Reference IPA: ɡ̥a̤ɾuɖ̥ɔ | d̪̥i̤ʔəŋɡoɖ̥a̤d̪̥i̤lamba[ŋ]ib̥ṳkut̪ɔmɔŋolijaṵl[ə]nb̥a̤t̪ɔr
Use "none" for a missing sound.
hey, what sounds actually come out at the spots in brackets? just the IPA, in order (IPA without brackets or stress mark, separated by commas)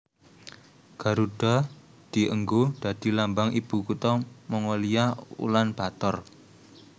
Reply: ŋ, a